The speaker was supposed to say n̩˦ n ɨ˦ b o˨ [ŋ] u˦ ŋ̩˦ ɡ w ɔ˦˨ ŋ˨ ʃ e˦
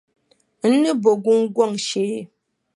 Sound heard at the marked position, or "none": ɡ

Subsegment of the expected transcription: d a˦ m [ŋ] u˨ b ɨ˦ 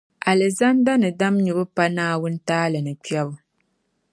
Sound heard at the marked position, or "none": ɲ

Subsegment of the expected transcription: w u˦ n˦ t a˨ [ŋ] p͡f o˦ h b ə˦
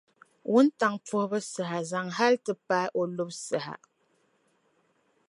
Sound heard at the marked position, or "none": ŋ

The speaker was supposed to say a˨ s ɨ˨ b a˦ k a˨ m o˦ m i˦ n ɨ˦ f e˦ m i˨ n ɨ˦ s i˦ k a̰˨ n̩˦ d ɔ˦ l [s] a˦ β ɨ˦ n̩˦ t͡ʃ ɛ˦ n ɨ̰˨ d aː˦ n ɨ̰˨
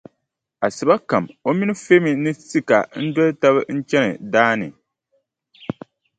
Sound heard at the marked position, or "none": t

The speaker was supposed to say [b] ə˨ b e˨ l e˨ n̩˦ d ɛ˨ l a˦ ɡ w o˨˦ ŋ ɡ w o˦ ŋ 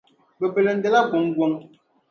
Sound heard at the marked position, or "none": b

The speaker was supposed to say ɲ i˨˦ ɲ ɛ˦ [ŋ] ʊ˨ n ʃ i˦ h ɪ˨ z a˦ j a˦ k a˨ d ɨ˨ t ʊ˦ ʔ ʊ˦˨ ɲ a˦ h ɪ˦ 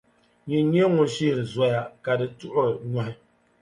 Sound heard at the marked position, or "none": ŋ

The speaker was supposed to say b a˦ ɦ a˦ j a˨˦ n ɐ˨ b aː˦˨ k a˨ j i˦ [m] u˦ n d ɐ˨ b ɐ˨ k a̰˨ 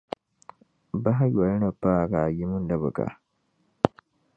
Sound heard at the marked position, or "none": m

